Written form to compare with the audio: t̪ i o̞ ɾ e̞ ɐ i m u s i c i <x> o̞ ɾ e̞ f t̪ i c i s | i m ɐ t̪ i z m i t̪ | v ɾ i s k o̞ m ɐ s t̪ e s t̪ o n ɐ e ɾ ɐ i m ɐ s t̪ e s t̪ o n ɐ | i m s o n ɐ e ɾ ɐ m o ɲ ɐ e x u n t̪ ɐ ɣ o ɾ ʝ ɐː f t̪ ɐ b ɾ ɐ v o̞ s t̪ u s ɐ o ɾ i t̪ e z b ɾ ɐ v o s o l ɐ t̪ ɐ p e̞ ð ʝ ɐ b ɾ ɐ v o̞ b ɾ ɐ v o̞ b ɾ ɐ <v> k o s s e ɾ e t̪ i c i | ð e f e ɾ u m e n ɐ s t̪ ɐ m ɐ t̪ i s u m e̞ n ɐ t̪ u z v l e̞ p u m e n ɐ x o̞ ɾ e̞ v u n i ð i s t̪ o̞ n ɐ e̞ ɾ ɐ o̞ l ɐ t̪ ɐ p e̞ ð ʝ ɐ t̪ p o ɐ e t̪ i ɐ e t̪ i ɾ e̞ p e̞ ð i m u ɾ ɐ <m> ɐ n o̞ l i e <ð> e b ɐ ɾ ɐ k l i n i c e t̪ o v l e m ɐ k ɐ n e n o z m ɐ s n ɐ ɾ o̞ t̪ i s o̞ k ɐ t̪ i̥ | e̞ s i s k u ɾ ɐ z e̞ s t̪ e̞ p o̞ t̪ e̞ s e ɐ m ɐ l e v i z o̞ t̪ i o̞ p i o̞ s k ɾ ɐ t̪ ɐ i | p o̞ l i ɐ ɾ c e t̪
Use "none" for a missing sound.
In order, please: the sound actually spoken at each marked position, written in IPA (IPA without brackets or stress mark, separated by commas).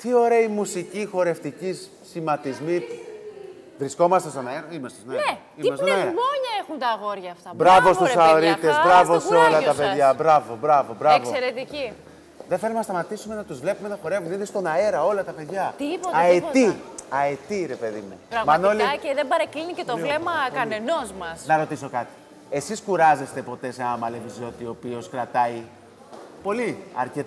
x, v, m, ð